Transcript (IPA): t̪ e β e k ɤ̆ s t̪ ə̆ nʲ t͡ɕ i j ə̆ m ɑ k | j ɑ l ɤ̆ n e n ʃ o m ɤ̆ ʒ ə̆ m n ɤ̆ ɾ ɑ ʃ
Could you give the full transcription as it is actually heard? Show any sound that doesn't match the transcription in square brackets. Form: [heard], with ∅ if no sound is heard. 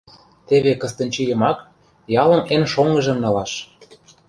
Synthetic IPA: t̪ e β e k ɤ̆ s t̪ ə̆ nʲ t͡ɕ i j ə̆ m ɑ k | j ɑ l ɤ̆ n e n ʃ o [ŋ] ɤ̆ ʒ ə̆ m n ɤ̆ [l] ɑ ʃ